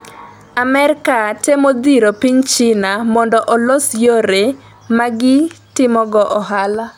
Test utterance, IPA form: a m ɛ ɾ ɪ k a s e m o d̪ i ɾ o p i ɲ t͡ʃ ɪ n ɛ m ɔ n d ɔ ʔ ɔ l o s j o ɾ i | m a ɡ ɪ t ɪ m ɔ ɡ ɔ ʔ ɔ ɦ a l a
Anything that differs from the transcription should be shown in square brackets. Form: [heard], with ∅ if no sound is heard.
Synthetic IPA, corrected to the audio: a m ɛ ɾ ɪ k a [t] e m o d̪ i ɾ o p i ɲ t͡ʃ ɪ n [a] m ɔ n d ɔ ʔ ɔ l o s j o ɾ [e] | m a ɡ ɪ t ɪ m ɔ ɡ ɔ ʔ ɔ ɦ a l a